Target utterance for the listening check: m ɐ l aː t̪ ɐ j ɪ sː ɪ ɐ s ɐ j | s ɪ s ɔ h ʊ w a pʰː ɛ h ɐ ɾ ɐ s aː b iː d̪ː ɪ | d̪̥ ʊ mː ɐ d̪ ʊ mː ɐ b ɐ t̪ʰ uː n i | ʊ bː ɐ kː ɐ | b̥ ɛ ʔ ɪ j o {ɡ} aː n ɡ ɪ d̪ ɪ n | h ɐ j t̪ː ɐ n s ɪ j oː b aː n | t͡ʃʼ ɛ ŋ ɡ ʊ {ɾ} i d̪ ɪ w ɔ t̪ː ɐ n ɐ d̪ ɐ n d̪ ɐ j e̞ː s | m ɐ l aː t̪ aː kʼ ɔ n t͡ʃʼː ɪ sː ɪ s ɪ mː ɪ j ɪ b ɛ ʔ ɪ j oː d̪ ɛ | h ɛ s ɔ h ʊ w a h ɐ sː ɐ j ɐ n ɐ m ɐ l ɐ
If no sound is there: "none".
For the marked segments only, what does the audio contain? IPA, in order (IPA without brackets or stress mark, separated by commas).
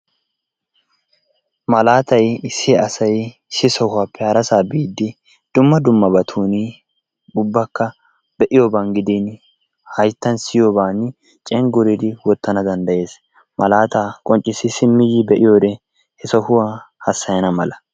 b, ɾ